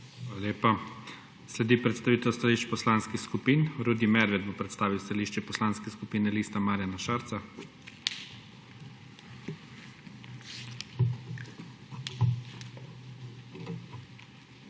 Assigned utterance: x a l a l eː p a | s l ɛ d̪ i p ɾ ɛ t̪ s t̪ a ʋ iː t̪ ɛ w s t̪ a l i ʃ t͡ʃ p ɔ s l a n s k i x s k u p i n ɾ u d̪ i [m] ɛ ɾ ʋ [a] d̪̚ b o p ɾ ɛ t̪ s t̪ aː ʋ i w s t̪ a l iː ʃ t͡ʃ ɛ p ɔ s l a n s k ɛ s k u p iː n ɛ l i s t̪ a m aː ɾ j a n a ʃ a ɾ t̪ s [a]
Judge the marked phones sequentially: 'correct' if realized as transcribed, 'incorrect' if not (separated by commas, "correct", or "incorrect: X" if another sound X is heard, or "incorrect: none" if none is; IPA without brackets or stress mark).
correct, incorrect: ɛ, correct